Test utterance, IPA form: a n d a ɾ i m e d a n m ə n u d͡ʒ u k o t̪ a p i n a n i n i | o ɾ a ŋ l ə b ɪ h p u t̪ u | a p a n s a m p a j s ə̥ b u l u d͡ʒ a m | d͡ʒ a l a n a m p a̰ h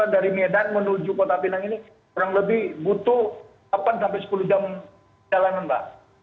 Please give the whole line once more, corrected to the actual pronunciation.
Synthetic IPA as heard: a n d a ɾ i m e d a n m ə n u d͡ʒ u k o t̪ a p i n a ŋ i n i | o ɾ a ŋ l ə b ɪ h b u t̪ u | a p a n s a m p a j s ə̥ p u l u d͡ʒ a m | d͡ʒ a l a n a n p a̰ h